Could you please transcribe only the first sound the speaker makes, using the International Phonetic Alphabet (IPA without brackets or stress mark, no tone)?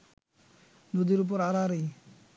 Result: n